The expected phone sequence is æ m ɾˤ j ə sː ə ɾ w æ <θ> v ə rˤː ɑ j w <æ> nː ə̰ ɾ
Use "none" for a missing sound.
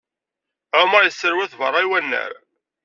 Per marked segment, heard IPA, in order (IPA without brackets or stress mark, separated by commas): θ, æ